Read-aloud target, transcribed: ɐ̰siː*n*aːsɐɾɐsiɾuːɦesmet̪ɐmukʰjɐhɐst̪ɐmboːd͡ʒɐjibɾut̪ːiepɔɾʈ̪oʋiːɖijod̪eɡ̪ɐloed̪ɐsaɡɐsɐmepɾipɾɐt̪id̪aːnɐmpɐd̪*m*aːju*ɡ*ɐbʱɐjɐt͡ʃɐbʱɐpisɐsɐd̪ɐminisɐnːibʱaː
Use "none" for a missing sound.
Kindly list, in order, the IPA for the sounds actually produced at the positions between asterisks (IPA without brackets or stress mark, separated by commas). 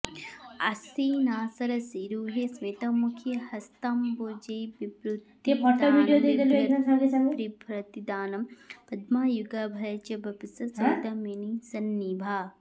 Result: n, m, ɡ